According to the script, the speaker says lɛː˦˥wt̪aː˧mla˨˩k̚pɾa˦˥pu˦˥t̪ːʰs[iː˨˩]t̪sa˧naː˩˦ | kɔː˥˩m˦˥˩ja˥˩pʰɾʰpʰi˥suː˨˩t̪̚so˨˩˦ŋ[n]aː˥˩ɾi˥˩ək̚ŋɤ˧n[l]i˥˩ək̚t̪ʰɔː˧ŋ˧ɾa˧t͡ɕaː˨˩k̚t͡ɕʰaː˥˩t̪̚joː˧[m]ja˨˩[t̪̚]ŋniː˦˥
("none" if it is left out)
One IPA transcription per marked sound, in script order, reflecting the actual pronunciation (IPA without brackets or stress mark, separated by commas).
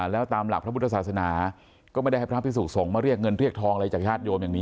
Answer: aː˨˩, m, ɾ, m, none